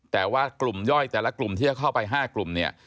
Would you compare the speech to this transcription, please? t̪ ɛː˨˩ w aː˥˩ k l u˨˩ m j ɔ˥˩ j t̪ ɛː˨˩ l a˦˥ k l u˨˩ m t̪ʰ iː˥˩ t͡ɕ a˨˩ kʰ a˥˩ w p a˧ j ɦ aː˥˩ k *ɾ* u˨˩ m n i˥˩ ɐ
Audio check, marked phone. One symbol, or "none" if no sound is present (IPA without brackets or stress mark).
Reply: l